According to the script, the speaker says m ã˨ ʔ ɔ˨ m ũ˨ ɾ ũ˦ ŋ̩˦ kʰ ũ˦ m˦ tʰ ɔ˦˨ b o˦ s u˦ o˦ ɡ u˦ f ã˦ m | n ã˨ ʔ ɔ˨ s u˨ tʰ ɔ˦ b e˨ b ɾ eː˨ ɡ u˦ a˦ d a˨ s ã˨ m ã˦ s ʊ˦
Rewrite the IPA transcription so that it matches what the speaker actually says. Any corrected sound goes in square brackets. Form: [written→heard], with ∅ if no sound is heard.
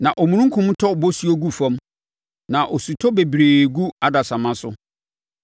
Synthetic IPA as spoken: [m→n] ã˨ ʔ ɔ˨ m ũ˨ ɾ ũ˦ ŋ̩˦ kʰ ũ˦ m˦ tʰ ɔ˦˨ b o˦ s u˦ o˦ ɡ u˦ f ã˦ m | n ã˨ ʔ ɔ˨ s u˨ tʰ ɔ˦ b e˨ b ɾ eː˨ ɡ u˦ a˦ d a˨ s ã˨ m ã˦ s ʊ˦

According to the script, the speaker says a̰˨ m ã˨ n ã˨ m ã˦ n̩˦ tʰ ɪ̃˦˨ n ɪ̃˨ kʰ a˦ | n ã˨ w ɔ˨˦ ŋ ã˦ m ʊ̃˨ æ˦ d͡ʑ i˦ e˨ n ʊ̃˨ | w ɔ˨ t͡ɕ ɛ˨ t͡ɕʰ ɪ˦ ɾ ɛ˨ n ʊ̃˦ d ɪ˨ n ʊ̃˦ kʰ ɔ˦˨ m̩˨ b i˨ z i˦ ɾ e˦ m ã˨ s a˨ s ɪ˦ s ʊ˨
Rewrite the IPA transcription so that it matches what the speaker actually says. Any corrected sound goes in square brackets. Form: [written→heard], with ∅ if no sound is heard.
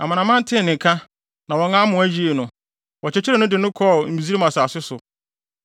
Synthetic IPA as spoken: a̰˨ m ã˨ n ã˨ m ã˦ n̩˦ tʰ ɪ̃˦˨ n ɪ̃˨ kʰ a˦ | n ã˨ w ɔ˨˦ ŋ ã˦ m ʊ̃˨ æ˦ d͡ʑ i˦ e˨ n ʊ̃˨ | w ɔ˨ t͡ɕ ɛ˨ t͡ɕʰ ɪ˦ ɾ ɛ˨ n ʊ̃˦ d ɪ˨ n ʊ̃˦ kʰ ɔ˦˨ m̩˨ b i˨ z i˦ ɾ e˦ m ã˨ s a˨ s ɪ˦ s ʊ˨

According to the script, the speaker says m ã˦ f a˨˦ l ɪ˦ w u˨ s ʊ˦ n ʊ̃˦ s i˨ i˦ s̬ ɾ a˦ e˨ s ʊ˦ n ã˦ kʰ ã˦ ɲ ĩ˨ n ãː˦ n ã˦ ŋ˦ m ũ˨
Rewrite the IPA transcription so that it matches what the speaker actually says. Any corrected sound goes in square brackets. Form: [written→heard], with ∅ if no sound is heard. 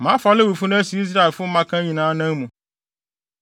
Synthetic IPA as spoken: m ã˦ f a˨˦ l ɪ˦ w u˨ [s→f] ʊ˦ n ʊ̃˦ s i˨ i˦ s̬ ɾ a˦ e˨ [s→f] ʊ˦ [n→m] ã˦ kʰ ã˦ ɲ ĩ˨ n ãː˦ n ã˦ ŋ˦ m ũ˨

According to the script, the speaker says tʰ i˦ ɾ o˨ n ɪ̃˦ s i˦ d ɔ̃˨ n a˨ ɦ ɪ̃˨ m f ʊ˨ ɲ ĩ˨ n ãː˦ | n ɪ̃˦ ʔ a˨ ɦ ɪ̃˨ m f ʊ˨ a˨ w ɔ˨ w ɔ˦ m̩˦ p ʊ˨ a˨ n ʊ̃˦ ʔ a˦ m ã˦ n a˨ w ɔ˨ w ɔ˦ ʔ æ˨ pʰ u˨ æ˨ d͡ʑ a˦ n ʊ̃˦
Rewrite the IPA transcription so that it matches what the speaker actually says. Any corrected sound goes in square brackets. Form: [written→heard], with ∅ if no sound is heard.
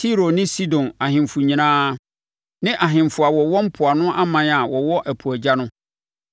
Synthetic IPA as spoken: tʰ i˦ ɾ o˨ n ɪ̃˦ s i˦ d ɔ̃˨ n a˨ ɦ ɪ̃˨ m f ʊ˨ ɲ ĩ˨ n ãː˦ | n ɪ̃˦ ʔ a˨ ɦ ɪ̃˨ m f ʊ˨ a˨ w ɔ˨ w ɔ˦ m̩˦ [p→pʰ] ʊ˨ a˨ n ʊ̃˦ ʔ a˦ m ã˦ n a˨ w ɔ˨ w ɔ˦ ʔ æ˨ pʰ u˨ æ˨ d͡ʑ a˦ n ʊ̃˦

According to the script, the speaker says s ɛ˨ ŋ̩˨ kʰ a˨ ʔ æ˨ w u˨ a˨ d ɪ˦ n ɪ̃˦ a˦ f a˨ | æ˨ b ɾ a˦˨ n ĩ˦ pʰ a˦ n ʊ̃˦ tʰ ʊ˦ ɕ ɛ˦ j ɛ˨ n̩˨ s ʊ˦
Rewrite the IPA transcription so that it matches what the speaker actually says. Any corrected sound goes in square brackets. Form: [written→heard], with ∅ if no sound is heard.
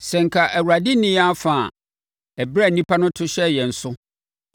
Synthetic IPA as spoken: s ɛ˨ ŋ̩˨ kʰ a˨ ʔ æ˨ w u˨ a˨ d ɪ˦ n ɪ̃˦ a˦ f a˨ | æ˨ b ɾ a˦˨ n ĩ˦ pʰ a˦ n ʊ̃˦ tʰ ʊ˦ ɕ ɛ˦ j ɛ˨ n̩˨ s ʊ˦

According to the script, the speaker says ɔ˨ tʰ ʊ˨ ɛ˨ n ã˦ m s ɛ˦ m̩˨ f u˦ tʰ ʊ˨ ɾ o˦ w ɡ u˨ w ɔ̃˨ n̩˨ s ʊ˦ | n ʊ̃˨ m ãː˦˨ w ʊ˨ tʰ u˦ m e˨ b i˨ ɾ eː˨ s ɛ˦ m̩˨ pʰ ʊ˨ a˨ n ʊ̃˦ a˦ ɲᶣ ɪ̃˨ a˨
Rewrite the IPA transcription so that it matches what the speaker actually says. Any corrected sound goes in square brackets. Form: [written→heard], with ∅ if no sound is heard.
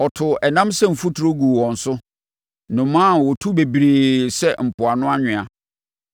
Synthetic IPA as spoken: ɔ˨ tʰ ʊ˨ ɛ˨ n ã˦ m s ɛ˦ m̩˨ f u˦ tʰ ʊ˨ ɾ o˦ [w→∅] ɡ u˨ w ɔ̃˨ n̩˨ s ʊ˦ | n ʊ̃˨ m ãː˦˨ w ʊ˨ tʰ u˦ [m→b] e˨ b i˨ ɾ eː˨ s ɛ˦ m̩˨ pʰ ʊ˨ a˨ n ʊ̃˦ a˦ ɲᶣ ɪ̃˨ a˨

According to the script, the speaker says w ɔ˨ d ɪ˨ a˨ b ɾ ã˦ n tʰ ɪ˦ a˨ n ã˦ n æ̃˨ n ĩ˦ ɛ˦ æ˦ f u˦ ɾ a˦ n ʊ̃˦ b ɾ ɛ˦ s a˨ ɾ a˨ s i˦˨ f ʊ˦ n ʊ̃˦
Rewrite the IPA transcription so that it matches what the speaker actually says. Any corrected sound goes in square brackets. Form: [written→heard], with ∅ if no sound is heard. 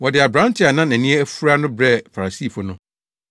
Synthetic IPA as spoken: w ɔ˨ d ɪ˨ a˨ b ɾ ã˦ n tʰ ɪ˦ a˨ n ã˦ n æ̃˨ n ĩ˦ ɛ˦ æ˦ f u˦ ɾ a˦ n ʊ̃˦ b ɾ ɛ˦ [s→f] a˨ ɾ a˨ s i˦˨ f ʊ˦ n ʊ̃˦

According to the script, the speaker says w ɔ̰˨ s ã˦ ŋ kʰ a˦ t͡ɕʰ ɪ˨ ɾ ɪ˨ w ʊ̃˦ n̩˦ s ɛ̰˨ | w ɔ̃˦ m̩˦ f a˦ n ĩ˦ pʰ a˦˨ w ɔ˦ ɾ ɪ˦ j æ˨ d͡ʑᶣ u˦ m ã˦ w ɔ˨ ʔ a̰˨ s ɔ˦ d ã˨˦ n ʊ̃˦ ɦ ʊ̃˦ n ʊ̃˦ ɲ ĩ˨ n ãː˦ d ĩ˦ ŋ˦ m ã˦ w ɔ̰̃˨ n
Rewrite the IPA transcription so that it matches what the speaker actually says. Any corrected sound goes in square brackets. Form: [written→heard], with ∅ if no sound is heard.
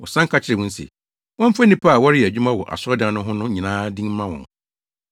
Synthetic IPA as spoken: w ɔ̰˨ s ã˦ ŋ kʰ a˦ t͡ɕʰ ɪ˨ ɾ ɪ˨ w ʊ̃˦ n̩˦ s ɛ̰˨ | w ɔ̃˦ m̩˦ f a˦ n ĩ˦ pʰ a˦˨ w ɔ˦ ɾ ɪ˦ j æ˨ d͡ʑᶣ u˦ m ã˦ w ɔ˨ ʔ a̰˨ s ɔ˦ d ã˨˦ n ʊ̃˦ ɦ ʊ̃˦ n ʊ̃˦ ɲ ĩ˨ n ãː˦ d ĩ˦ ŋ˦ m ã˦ w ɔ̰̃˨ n

